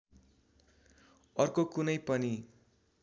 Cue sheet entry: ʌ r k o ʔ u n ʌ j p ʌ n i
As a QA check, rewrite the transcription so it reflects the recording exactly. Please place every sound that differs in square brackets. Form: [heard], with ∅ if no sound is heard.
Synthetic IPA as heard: ʌ r k o [k] u n ʌ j p ʌ n i